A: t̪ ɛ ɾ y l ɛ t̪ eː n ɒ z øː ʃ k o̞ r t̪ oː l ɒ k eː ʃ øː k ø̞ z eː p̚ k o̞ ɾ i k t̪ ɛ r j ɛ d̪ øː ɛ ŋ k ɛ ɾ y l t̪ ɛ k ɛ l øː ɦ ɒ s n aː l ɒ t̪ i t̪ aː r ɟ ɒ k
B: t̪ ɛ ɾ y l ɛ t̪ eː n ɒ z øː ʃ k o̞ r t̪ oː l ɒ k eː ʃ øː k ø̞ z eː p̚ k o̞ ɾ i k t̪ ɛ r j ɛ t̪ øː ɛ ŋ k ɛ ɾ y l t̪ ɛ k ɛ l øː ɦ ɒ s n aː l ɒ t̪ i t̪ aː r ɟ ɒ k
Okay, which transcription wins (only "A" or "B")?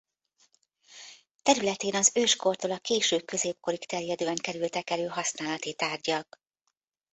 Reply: A